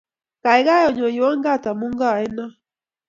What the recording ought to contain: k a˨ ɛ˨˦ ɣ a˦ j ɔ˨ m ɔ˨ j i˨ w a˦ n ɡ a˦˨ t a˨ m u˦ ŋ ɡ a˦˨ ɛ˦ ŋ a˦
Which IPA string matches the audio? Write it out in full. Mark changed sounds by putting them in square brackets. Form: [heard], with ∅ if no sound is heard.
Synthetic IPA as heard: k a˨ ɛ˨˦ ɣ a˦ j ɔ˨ [ɲ] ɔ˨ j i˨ w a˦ [ŋ] ɡ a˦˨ t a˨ m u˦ ŋ ɡ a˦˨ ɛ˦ [n] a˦

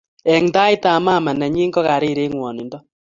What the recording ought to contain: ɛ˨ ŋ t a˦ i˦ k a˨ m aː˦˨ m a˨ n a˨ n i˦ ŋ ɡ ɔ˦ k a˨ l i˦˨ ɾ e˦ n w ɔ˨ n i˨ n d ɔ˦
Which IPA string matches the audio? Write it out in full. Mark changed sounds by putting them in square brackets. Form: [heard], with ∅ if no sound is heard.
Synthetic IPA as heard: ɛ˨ ŋ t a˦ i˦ [t] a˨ m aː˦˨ m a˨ n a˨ [ɲ] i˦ ŋ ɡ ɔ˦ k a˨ [ɾ] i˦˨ ɾ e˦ [ŋ] w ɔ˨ n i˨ n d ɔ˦

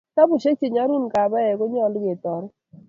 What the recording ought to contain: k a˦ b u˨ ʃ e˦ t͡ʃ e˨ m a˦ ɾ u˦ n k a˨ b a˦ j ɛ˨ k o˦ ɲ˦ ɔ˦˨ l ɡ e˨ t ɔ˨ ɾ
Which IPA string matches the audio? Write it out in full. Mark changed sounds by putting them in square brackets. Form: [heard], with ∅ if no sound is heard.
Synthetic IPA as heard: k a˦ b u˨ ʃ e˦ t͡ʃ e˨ [ɲ] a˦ ɾ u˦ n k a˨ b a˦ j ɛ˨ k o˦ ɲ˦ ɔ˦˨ l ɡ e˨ t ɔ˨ ɾ

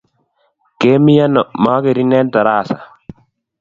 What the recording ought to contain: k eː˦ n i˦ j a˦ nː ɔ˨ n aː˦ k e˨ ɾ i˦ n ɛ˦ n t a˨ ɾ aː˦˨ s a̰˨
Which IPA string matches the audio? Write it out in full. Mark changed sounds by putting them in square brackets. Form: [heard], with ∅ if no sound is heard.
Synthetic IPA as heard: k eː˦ [m] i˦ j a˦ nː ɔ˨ [m] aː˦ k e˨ ɾ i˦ n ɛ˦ n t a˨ ɾ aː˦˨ s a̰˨

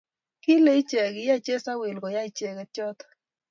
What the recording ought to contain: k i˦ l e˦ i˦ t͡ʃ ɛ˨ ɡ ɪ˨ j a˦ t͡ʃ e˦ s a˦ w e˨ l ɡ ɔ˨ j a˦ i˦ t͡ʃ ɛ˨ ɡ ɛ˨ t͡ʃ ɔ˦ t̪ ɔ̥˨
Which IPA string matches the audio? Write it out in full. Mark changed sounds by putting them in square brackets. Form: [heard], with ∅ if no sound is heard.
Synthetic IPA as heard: k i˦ l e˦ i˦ t͡ʃ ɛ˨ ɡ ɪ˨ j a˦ t͡ʃ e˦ s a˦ w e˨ l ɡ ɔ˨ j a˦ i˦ t͡ʃ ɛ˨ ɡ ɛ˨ t͡ʃ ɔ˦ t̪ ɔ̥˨

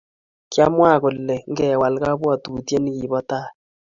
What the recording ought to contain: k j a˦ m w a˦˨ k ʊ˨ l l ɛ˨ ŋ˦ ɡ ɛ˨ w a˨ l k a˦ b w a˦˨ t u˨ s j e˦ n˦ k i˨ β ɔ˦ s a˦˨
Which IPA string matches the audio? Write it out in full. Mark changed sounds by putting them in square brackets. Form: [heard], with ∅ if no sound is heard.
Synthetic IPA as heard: k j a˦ m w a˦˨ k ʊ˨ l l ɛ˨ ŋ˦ ɡ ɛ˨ w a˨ l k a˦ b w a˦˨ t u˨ [t] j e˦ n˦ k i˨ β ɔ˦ [t] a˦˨

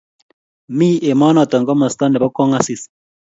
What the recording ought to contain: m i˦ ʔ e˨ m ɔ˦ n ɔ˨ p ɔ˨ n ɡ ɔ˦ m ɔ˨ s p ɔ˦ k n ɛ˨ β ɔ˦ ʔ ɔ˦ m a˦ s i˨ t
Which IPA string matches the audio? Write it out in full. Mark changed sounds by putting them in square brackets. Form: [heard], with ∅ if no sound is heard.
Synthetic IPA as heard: m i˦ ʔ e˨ m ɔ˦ n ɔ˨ [t] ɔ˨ [ŋ] ɡ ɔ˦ m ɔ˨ s [t] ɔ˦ [∅] n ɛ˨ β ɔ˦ [k] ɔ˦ [ŋ] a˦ s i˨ [s]

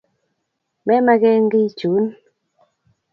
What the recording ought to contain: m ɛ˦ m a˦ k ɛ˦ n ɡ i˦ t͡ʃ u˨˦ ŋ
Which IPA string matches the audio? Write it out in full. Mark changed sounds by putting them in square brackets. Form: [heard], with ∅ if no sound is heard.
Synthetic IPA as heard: m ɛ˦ m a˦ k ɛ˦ [ŋ] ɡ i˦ t͡ʃ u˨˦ [n]

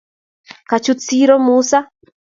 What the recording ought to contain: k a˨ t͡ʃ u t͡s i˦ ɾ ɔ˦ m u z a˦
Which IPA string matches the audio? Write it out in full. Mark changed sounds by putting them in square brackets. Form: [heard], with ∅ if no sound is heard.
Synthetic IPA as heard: k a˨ t͡ʃ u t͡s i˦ ɾ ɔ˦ m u [s] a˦

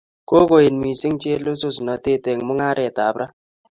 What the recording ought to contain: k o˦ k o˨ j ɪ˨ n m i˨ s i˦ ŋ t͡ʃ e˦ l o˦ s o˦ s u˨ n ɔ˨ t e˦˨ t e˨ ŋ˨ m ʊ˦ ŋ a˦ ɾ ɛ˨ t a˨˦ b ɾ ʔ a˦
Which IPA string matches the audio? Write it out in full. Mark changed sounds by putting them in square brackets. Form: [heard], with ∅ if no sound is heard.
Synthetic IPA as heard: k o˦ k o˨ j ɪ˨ n m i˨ s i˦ ŋ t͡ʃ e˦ l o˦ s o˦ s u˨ n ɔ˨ t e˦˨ t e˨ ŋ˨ m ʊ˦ ŋ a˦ ɾ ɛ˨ t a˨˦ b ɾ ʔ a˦

